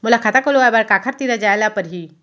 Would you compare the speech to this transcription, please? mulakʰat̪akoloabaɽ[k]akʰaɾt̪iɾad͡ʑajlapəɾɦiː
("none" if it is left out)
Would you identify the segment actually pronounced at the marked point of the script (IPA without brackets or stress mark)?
k